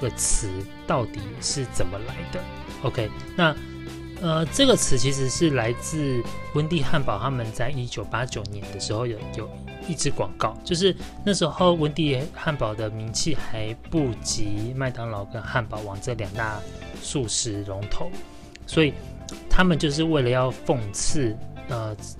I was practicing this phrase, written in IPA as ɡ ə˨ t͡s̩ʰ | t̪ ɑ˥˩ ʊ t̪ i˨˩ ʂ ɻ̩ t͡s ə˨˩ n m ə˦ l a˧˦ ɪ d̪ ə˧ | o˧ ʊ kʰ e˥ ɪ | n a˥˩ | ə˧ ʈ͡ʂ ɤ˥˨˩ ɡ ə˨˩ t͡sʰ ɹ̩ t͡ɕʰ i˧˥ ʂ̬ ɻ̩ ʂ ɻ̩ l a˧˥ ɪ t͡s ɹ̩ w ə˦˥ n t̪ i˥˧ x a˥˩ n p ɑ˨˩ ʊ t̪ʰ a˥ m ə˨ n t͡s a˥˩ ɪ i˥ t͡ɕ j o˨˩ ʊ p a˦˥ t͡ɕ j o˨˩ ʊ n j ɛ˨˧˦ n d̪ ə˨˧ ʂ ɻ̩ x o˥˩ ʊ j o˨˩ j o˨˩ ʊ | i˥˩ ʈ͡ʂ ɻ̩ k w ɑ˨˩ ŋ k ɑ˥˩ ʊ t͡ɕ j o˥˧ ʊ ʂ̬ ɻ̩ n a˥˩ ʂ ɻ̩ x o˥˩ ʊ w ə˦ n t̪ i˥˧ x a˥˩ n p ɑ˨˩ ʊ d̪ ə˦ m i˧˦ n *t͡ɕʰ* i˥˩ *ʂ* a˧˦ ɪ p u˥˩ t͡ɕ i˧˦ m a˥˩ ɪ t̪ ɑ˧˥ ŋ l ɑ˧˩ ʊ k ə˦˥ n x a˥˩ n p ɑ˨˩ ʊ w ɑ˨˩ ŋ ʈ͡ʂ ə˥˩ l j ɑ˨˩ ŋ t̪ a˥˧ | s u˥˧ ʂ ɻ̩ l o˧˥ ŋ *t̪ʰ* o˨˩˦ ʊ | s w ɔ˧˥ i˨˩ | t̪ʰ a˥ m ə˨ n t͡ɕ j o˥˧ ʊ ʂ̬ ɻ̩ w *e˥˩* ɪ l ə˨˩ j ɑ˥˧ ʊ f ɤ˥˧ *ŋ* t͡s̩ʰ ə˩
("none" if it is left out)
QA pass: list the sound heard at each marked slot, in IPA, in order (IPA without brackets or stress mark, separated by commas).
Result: t͡ɕʰ, x, t̪ʰ, e˥˩, ŋ